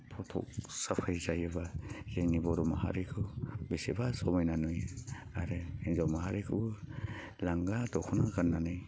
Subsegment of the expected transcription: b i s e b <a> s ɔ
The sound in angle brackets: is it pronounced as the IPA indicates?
yes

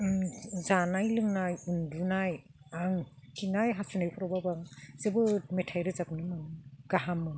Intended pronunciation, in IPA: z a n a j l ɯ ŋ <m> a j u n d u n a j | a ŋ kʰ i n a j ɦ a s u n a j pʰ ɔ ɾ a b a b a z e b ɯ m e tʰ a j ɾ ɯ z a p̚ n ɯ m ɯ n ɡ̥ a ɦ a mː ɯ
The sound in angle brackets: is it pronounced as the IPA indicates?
no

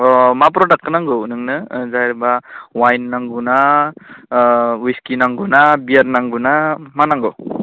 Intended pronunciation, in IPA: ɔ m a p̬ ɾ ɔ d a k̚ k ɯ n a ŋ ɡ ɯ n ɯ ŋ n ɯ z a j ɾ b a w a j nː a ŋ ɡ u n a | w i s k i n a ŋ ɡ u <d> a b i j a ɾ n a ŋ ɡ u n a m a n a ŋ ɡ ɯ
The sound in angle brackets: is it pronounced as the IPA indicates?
no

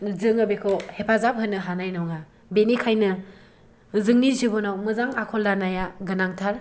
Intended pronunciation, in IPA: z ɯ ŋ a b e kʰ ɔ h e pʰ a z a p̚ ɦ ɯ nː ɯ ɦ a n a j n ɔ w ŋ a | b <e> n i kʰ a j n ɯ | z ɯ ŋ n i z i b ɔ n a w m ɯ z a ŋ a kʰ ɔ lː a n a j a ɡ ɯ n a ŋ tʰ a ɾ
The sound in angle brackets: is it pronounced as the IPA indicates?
yes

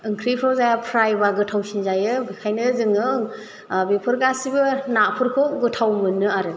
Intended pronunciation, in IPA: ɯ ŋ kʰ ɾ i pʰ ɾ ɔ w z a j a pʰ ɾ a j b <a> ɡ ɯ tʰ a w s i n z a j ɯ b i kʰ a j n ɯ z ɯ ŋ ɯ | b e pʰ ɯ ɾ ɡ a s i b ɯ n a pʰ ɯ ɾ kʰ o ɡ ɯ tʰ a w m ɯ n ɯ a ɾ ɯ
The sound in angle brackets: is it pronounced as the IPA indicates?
yes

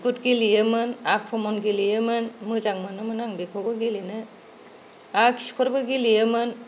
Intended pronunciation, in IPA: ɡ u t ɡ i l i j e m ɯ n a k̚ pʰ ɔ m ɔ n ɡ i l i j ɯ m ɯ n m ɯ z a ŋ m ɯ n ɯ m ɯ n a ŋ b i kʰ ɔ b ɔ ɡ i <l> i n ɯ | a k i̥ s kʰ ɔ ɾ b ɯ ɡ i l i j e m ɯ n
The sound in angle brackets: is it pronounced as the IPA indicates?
yes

